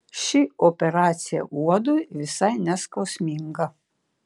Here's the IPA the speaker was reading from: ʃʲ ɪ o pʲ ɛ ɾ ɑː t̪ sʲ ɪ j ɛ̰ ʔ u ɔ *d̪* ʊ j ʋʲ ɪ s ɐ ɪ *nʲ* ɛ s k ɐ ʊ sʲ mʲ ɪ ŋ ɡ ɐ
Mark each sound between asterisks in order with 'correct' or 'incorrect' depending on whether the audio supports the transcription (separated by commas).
correct, correct